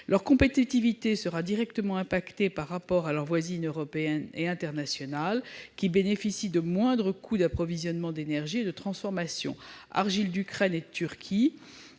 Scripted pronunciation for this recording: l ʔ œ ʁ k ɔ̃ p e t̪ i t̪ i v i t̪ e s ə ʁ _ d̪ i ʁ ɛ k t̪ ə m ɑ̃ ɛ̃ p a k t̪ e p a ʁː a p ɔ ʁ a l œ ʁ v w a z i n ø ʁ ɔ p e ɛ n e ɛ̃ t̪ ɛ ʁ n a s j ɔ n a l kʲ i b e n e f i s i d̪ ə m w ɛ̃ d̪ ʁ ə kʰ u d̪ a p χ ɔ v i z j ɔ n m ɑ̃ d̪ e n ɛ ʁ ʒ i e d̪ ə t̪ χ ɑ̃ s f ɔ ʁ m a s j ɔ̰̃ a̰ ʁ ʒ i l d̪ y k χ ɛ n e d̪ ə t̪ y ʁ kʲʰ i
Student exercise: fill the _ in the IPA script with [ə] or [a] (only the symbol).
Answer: a